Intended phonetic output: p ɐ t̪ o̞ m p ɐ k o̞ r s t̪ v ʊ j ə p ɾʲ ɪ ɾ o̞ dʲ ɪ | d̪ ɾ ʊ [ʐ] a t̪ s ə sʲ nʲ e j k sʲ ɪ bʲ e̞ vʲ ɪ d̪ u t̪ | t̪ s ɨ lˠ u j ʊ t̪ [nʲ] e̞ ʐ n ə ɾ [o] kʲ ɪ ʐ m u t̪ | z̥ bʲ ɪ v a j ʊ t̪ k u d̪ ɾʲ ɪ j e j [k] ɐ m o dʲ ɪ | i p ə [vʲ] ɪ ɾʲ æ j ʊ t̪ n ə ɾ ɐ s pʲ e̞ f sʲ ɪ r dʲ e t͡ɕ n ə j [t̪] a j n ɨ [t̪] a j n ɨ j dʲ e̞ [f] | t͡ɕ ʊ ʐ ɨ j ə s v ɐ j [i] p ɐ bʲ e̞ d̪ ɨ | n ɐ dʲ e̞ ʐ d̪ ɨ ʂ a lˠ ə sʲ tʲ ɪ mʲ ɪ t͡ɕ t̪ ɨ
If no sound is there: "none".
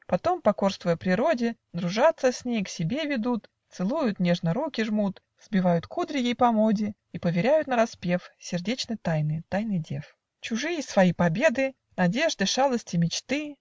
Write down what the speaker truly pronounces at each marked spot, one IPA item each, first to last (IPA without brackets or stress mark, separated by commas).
ʐ, nʲ, u, p, vʲ, t̪, t̪, f, i